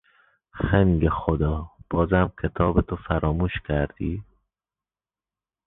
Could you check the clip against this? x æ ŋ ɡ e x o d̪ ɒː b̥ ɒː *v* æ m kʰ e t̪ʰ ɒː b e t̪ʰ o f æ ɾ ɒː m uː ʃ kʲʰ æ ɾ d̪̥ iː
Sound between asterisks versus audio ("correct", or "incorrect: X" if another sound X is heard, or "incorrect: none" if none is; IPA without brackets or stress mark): incorrect: z